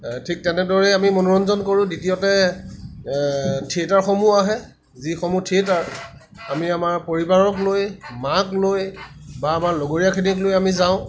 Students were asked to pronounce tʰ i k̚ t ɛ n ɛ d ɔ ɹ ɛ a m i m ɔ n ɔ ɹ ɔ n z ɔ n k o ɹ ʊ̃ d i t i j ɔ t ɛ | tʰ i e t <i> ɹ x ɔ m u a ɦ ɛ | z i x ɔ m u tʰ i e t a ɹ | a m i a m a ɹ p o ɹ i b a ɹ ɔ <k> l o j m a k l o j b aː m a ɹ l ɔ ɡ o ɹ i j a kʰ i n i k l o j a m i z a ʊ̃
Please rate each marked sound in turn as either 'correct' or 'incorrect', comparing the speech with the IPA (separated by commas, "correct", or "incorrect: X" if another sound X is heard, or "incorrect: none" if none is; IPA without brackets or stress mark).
incorrect: a, correct